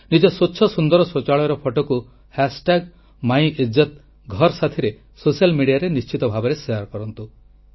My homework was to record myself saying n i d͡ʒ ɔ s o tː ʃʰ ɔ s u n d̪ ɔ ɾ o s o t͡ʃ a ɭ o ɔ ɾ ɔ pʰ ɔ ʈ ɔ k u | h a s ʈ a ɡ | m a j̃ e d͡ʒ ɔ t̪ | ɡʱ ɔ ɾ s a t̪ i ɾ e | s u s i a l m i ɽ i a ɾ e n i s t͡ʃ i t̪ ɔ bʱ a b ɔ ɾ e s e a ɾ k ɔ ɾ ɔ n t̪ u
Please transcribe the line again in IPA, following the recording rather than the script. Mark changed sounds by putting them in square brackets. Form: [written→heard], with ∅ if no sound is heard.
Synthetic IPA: n i d͡ʒ ɔ s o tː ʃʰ ɔ s u n d̪ ɔ ɾ [o→ɔ] s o t͡ʃ a ɭ [o→ɔ] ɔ ɾ ɔ pʰ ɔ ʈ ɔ k u | h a s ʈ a ɡ | m a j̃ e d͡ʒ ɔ t̪ | ɡʱ ɔ ɾ s a [t̪→t̪ʰ] i ɾ e | s [u→o] s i a l m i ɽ i a ɾ e n i s t͡ʃ i t̪ ɔ bʱ a b ɔ ɾ e s e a ɾ k ɔ ɾ ɔ n t̪ u